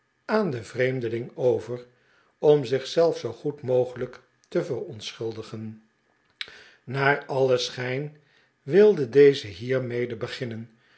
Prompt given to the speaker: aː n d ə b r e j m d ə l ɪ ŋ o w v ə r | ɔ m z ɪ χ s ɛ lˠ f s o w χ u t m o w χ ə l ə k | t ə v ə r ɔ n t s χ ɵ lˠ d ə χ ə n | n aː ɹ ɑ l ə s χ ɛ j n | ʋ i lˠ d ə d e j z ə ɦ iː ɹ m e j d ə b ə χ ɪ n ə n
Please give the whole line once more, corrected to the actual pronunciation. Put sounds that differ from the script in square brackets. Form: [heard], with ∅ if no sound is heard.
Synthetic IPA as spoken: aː n d ə [v] r e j m d ə l ɪ ŋ o w v ə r | ɔ m z ɪ χ s ɛ lˠ f s o w χ u t m o w χ ə l ə k | t ə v ə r ɔ n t s χ ɵ lˠ d ə χ ə n | n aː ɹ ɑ l ə s χ ɛ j n | ʋ [ɪ] lˠ d ə d e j z ə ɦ iː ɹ m e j d ə b ə χ ɪ n ə n